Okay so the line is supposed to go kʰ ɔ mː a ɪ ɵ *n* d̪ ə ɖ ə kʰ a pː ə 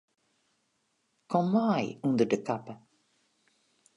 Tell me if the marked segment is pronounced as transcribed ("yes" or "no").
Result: yes